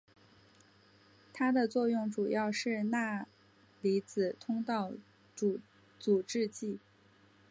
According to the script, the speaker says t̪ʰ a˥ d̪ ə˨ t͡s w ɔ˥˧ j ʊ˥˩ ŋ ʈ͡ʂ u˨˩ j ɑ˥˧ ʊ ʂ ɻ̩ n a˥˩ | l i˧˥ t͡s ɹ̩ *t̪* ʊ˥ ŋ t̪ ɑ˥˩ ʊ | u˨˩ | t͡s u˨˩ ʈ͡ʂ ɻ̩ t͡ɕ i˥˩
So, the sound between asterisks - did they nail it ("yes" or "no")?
no